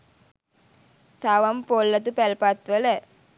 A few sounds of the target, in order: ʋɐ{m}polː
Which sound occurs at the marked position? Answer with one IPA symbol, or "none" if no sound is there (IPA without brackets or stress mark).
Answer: m